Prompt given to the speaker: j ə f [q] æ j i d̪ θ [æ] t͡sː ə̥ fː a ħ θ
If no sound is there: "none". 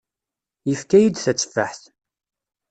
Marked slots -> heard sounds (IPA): k, æ

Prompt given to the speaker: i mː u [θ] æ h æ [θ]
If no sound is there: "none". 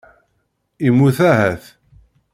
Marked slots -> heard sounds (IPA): θ, θ

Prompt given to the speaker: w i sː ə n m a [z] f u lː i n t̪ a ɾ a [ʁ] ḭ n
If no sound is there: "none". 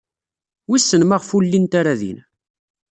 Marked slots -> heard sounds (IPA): ʁ, ð

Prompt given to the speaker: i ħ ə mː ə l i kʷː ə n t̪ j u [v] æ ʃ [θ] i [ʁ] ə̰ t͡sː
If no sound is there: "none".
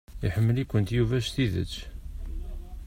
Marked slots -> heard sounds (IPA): v, θ, ð

